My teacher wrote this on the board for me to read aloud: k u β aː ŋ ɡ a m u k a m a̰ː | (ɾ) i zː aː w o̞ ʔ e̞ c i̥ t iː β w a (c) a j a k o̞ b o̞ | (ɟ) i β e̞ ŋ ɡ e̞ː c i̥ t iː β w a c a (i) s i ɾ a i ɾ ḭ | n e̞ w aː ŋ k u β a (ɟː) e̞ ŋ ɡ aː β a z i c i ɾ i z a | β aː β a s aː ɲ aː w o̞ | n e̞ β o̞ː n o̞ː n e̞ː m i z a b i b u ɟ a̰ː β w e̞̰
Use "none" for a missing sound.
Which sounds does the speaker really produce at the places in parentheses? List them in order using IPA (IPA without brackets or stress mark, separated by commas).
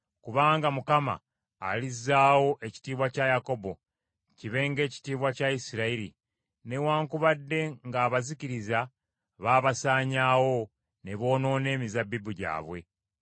l, c, c, i, dː